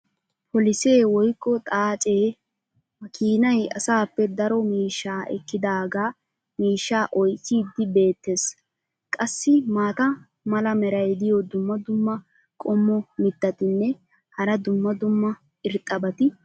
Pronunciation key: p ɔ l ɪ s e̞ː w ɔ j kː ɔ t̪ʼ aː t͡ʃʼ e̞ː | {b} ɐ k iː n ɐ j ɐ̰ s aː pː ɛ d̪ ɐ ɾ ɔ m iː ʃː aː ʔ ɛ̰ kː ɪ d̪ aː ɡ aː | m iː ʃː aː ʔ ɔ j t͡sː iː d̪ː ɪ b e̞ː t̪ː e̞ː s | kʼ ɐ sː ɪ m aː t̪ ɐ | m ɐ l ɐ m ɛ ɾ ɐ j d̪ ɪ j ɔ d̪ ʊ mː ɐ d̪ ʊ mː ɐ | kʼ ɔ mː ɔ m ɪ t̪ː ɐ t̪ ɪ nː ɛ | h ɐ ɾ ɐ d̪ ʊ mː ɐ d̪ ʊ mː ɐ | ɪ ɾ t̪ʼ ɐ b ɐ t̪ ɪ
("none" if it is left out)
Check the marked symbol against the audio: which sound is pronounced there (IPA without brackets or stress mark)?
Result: m